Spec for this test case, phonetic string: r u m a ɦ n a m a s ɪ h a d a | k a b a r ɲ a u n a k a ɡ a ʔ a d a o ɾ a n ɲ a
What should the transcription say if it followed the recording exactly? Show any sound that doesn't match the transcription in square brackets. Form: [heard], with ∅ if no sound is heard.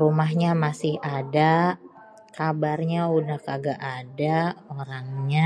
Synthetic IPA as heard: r u m a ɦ [ɲ] a m a s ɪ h a d a | k a b a r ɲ a u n a k a ɡ a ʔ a d a o ɾ a [ŋ] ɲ a